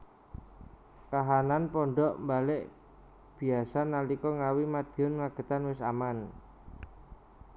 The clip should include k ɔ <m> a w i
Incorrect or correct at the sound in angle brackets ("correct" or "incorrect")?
incorrect